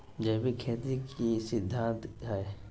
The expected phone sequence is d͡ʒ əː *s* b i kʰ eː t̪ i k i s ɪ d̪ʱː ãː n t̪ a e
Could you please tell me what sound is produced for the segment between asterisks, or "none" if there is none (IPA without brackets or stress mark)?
none